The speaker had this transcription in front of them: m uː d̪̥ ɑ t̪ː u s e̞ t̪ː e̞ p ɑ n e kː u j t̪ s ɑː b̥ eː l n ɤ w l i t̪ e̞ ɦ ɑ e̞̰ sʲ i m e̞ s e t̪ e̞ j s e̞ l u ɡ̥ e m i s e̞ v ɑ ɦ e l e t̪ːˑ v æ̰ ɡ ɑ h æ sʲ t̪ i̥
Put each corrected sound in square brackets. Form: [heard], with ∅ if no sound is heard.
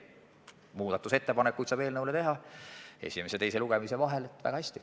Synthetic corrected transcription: m uː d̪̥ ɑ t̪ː u s e̞ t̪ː e̞ p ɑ n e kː u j t̪ s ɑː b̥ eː l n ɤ w l [e] t̪ e̞ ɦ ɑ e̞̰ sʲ i m e̞ s e t̪ e̞ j s e̞ l u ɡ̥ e m i s e̞ v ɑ ɦ e l e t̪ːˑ v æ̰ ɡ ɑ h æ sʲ t̪ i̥